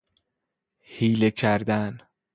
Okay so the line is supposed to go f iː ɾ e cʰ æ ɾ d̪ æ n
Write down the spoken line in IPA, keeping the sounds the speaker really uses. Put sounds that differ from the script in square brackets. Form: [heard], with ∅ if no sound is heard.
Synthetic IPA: [h] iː [l] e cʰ æ ɾ d̪ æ n